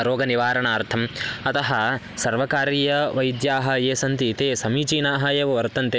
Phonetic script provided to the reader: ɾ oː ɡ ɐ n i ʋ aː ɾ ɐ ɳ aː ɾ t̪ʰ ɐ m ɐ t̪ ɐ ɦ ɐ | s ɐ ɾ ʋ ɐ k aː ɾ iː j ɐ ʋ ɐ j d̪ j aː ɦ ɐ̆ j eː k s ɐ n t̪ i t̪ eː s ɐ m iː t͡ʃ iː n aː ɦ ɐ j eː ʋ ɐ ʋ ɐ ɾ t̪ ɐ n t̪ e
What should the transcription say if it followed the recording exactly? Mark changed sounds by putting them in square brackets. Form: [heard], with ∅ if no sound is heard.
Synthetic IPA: ɾ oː ɡ ɐ n i ʋ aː ɾ ɐ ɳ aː ɾ t̪ʰ ɐ m ɐ t̪ ɐ ɦ ɐ | s ɐ ɾ ʋ ɐ k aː ɾ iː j ɐ ʋ ɐ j d̪ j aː ɦ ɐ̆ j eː [∅] s ɐ n t̪ i t̪ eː s ɐ m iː t͡ʃ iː n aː ɦ ɐ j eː ʋ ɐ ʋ ɐ ɾ t̪ ɐ n t̪ e